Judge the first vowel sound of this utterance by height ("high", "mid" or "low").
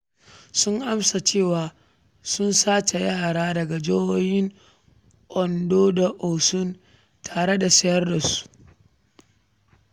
high